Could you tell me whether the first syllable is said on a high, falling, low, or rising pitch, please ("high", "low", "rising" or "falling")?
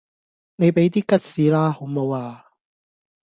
low